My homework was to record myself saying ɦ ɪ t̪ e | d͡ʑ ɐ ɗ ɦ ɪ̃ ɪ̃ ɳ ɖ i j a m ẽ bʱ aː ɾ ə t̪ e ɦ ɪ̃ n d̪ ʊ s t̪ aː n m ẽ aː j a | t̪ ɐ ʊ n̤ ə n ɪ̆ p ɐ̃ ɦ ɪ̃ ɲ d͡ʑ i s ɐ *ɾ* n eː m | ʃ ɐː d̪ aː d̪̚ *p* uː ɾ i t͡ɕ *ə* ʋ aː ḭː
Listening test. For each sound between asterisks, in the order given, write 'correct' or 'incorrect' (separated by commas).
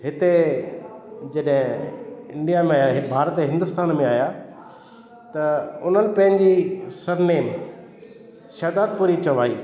correct, correct, incorrect